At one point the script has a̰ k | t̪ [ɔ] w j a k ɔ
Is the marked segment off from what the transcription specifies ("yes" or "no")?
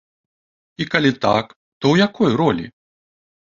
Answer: no